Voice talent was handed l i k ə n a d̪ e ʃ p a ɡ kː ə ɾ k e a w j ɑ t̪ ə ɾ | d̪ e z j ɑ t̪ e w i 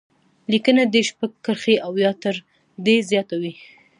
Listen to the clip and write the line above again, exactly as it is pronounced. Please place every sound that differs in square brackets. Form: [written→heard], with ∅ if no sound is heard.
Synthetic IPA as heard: l i k ə n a d̪ e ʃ p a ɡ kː ə ɾ [k→x] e a w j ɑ t̪ ə ɾ | d̪ e z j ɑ t̪ [e→a] w i